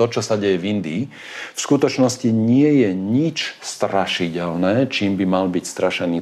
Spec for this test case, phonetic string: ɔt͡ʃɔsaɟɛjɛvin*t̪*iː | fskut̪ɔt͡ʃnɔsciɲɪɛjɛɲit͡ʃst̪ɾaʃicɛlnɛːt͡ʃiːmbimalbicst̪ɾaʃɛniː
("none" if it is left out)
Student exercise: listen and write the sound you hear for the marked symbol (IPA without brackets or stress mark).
d̪